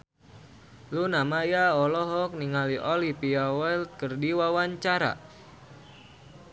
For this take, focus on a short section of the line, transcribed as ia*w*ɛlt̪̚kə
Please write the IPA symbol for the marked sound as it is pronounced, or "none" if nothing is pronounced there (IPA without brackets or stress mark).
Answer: w